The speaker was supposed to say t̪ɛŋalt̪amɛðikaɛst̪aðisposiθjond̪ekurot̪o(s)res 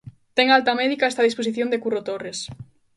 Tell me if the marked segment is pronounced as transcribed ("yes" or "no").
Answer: no